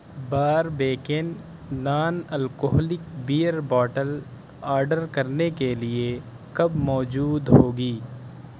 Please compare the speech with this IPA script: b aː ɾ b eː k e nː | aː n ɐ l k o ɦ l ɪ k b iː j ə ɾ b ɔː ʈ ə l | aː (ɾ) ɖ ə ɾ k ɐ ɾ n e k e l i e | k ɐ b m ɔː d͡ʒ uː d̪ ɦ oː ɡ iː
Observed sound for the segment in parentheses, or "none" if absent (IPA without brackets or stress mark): ɾ